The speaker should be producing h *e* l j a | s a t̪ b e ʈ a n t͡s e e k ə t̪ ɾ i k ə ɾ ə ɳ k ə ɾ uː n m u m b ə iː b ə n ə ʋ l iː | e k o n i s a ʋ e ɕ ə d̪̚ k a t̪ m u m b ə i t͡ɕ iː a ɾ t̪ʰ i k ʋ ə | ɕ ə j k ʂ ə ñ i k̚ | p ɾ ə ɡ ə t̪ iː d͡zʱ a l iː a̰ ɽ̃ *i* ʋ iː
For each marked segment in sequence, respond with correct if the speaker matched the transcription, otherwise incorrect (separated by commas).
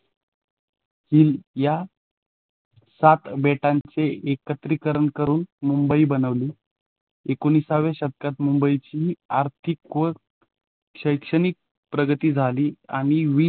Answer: incorrect, correct